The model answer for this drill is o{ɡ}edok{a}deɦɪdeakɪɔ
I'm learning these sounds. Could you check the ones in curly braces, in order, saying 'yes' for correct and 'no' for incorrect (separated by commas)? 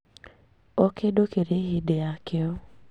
no, no